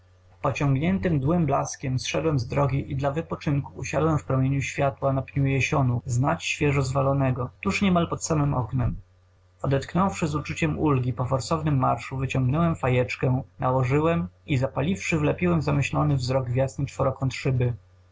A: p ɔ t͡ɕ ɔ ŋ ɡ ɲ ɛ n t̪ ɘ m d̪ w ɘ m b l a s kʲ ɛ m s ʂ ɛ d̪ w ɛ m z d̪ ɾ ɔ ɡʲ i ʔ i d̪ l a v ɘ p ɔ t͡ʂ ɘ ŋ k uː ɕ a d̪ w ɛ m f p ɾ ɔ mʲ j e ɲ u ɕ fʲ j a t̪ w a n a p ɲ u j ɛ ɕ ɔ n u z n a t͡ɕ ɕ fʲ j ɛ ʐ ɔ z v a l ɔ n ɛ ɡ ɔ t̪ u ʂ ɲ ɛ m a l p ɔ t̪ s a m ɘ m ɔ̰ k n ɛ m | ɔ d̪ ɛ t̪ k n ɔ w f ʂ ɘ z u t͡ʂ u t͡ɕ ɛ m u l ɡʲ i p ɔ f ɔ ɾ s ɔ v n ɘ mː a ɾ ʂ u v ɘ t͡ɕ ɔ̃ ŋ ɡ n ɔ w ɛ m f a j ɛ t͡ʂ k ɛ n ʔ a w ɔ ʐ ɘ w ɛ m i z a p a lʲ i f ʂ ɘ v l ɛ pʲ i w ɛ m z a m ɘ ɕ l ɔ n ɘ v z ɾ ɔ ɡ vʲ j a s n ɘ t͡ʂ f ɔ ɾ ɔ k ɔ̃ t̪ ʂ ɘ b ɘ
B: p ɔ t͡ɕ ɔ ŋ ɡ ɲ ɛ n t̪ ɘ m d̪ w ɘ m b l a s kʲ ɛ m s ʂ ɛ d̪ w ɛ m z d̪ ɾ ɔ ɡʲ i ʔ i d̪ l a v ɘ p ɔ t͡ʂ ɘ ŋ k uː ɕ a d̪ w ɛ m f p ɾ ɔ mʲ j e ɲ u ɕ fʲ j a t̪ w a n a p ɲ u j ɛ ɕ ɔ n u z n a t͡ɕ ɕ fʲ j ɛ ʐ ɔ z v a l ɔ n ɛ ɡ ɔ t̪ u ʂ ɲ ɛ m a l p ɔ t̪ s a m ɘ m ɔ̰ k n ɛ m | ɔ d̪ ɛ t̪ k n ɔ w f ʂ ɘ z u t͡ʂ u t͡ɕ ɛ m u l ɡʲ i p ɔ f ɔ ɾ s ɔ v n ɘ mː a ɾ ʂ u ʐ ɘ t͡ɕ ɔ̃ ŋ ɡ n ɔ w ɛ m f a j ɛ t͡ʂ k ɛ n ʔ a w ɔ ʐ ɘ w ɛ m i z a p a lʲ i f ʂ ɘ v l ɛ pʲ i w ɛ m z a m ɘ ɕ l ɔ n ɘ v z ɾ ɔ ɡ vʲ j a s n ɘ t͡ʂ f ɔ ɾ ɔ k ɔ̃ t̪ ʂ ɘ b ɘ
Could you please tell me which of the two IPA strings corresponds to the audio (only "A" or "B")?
A